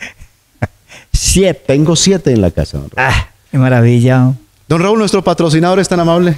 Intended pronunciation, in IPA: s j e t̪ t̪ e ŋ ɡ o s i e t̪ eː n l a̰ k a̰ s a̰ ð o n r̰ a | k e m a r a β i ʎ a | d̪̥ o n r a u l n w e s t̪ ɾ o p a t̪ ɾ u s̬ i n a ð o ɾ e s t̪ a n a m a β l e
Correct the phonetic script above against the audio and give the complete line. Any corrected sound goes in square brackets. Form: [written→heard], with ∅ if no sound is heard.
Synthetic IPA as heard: s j e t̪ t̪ e ŋ ɡ o s [i→j] e t̪ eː n l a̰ k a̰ s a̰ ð o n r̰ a | k e m a [r→ɾ] a β i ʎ a | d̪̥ o n r a u l n w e s t̪ ɾ o p a t̪ ɾ [u→o] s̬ i n a ð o ɾ e s t̪ a n a m a β l e